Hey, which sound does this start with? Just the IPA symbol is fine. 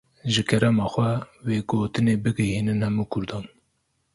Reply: ʒ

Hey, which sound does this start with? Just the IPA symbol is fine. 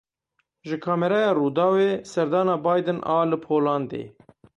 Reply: ʒ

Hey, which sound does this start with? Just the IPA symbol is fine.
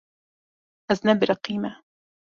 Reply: ʔ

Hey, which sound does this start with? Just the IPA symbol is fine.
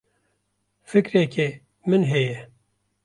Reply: f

